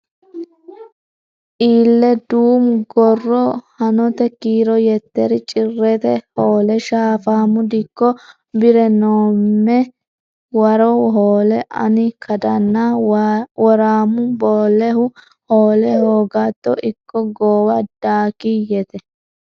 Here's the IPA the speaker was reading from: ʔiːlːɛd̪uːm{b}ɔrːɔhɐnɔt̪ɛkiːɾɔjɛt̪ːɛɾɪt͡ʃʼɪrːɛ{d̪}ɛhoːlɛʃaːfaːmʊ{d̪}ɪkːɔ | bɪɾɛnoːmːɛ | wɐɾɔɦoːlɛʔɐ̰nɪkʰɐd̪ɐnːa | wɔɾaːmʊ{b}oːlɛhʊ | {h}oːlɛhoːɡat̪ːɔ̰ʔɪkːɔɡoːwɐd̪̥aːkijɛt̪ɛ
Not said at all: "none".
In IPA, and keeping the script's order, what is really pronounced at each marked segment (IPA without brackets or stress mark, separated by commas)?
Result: ɡ, t̪, d̪, b, h